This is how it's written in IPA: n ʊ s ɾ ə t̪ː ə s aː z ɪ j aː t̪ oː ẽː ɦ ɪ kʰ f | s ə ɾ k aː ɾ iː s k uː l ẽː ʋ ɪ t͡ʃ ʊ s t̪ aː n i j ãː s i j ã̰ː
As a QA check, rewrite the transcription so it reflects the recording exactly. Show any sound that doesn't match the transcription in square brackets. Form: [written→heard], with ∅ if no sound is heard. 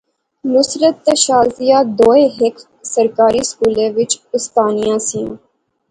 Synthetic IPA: n ʊ s ɾ ə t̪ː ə [s→ʃ] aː z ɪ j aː [t̪→d̪] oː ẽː ɦ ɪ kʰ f | s ə ɾ k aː ɾ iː s k uː l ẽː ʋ ɪ t͡ʃ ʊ s t̪ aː n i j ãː s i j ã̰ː